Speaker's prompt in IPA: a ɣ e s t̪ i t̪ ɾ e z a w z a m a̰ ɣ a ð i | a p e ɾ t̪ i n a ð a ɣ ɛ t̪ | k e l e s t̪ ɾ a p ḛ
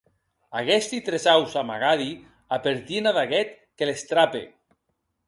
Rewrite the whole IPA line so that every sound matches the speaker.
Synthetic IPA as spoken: a ɣ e s t̪ i t̪ ɾ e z a w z a m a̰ ɣ a ð i | a p e ɾ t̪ i n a ð a ɣ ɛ t̪ | k e l e s t̪ ɾ a p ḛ